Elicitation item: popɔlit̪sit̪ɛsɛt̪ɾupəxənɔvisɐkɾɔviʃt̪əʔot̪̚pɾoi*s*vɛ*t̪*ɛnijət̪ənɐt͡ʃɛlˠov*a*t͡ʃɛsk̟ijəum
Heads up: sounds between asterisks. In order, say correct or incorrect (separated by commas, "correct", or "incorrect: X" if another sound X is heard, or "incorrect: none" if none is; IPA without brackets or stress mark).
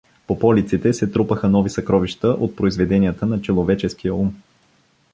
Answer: incorrect: z, incorrect: d̪, incorrect: ɛ